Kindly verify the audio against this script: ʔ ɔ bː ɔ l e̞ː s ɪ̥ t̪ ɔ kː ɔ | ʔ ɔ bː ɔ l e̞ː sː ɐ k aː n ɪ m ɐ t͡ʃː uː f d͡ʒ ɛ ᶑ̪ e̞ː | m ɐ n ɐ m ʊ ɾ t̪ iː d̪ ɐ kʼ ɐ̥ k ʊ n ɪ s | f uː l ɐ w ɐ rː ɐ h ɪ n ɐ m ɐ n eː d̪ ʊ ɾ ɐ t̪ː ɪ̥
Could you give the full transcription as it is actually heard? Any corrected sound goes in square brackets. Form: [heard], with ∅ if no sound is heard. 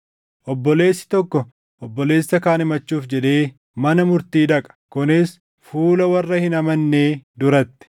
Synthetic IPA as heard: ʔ ɔ bː ɔ l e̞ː [sː] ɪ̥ t̪ ɔ kː ɔ | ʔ ɔ bː ɔ l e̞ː sː ɐ k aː n ɪ m ɐ t͡ʃː uː f d͡ʒ ɛ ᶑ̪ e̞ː | m ɐ n ɐ m ʊ ɾ t̪ iː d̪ ɐ kʼ ɐ̥ k ʊ n ɪ s | f uː l ɐ w ɐ rː ɐ h ɪ n ɐ m ɐ [nː] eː d̪ ʊ ɾ ɐ t̪ː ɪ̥